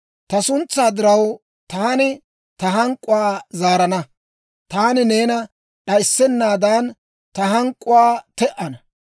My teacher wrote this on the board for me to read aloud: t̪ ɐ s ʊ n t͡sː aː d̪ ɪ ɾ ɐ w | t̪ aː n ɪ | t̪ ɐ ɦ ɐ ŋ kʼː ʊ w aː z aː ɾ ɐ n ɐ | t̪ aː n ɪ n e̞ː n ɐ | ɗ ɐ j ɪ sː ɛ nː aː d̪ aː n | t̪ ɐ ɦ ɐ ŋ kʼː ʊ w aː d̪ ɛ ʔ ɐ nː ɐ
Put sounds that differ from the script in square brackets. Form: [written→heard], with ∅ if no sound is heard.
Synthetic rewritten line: t̪ ɐ s ʊ n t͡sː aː d̪ ɪ ɾ ɐ w | t̪ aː n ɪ | t̪ ɐ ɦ ɐ ŋ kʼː ʊ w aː z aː ɾ ɐ n ɐ | t̪ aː n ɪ n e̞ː n ɐ | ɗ ɐ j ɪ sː ɛ nː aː d̪ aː n | t̪ ɐ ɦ ɐ ŋ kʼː ʊ w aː [d̪→t̪] ɛ ʔ ɐ [nː→n] ɐ

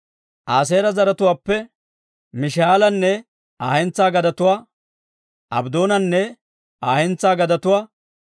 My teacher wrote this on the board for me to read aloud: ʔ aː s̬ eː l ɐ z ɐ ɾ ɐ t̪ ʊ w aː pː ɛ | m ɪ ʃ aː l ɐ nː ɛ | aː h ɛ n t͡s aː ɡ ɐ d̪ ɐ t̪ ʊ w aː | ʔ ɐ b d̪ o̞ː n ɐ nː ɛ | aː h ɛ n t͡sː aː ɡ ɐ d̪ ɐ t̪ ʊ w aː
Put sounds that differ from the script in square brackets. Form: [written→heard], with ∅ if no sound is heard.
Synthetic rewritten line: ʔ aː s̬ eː [l→ɾ] ɐ z ɐ ɾ ɐ t̪ ʊ w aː pː ɛ | m ɪ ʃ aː l ɐ nː ɛ | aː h ɛ n t͡s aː ɡ ɐ d̪ ɐ t̪ ʊ w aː | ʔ ɐ b d̪ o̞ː n ɐ nː ɛ | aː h ɛ n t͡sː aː ɡ ɐ d̪ ɐ t̪ ʊ w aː

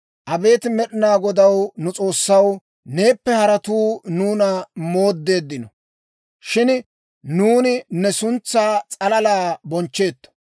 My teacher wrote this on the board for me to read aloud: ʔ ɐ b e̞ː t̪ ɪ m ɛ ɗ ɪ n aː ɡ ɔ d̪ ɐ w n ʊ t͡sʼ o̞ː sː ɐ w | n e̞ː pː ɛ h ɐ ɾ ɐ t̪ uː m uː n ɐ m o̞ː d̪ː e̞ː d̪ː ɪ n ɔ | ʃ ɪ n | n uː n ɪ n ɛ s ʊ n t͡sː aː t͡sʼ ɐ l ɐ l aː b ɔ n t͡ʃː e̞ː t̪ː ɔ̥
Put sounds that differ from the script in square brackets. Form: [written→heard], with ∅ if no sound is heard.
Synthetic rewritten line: ʔ ɐ b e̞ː t̪ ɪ m ɛ ɗ ɪ n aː ɡ ɔ d̪ ɐ w n ʊ t͡sʼ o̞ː sː ɐ w | n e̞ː pː ɛ h ɐ ɾ ɐ t̪ uː [m→n] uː n ɐ m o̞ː d̪ː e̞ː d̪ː ɪ n ɔ | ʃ ɪ n | n uː n ɪ n ɛ s ʊ n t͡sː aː t͡sʼ ɐ l ɐ l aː b ɔ n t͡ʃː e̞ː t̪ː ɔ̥

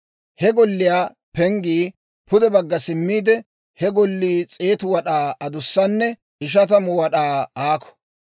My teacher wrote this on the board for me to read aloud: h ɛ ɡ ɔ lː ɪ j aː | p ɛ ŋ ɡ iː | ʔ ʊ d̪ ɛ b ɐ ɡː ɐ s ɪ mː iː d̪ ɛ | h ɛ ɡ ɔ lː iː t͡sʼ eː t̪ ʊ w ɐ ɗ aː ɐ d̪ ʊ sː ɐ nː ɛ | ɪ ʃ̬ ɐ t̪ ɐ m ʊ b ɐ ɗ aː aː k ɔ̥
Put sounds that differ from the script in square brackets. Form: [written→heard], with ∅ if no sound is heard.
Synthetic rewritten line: h ɛ ɡ ɔ lː ɪ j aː | p ɛ ŋ ɡ iː | [ʔ→p] ʊ d̪ ɛ b ɐ ɡː ɐ s ɪ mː iː d̪ ɛ | h ɛ ɡ ɔ lː iː t͡sʼ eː t̪ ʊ w ɐ ɗ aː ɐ d̪ ʊ sː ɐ nː ɛ | ɪ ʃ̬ ɐ t̪ ɐ m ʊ [b→w] ɐ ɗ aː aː k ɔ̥

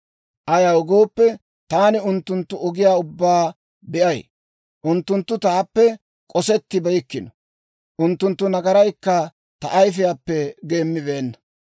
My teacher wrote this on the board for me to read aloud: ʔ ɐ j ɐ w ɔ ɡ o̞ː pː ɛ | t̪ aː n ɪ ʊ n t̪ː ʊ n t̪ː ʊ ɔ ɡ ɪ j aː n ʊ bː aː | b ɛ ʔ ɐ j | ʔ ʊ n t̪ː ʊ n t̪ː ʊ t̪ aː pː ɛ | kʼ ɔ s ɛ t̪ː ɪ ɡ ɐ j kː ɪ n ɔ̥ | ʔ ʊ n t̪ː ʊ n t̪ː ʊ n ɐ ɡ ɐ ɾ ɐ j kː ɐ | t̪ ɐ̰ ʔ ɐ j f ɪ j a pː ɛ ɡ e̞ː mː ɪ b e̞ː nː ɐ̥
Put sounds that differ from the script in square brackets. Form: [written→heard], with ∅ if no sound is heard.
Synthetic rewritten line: ʔ ɐ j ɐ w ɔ ɡ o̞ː pː ɛ | t̪ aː n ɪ ʊ n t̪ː ʊ n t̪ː ʊ ɔ ɡ ɪ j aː [n→∅] ʊ bː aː | b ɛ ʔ ɐ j | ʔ ʊ n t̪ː ʊ n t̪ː ʊ t̪ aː pː ɛ | kʼ ɔ s ɛ t̪ː ɪ [ɡ→b] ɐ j kː ɪ n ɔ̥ | ʔ ʊ n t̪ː ʊ n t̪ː ʊ n ɐ ɡ ɐ ɾ ɐ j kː ɐ | t̪ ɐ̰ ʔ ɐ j f ɪ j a pː ɛ ɡ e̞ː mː ɪ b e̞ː nː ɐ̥

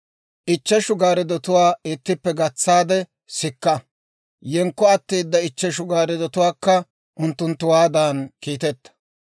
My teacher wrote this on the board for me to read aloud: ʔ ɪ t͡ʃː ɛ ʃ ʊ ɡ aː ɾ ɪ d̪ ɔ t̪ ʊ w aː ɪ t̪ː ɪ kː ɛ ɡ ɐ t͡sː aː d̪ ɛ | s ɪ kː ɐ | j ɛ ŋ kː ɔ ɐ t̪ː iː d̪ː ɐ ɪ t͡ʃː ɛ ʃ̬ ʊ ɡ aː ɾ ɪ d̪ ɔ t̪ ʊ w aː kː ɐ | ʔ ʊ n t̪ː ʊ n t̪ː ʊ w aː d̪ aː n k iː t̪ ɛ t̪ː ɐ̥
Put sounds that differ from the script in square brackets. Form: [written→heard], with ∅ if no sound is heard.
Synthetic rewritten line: ʔ ɪ t͡ʃː ɛ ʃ ʊ ɡ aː ɾ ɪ d̪ ɔ t̪ ʊ w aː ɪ t̪ː ɪ [kː→pː] ɛ ɡ ɐ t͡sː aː d̪ ɛ | s ɪ kː ɐ | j ɛ ŋ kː ɔ ɐ t̪ː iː d̪ː ɐ ɪ t͡ʃː ɛ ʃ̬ ʊ ɡ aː ɾ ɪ d̪ ɔ t̪ ʊ w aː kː ɐ | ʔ ʊ n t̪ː ʊ n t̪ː ʊ w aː d̪ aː n k iː t̪ ɛ t̪ː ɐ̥

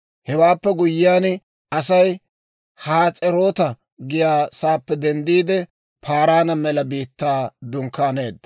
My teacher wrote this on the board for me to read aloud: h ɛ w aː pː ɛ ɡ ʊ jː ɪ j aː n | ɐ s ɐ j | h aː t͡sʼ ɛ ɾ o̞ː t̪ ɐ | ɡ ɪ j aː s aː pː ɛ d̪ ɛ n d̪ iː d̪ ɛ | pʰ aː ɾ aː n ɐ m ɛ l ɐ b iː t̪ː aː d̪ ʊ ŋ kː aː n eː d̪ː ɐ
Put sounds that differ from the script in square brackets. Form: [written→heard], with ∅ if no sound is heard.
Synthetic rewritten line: h ɛ w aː pː ɛ ɡ ʊ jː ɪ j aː n | ɐ s ɐ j | h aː t͡sʼ ɛ ɾ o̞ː t̪ ɐ | ɡ ɪ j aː s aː pː ɛ d̪ ɛ n d̪ iː d̪ ɛ | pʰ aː ɾ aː n ɐ m ɛ l ɐ b iː t̪ː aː d̪ ʊ ŋ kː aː n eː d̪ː ɐ

